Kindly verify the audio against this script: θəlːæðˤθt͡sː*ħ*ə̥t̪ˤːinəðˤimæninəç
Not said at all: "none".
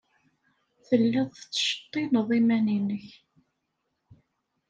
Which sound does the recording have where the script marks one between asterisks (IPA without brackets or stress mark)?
ʃ